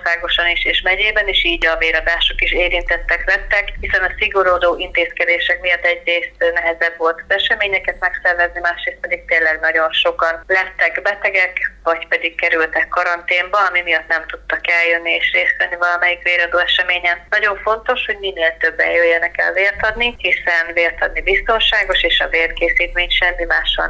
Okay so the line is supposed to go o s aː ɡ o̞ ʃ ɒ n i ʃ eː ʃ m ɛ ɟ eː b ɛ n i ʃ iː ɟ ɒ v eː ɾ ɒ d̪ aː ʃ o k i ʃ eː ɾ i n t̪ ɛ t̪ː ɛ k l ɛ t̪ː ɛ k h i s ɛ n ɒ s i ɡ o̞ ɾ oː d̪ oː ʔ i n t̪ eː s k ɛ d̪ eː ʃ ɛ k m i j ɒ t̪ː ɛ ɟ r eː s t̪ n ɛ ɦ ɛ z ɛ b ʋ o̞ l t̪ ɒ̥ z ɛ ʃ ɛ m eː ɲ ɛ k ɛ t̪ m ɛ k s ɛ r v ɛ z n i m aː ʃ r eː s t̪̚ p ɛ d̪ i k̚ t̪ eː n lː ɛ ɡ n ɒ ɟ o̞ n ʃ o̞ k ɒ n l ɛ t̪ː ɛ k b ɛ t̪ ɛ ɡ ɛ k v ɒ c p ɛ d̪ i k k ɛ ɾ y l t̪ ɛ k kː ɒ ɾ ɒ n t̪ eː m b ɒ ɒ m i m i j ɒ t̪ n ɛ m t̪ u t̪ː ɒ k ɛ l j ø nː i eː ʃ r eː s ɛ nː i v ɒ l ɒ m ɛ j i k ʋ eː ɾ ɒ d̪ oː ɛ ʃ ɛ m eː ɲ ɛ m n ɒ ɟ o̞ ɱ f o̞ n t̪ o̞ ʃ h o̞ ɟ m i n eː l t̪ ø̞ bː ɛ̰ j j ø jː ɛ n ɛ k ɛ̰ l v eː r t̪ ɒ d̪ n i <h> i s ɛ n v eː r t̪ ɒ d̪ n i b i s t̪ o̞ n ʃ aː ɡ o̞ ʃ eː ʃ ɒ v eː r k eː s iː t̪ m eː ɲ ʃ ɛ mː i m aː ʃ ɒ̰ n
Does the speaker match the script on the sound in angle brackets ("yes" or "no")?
yes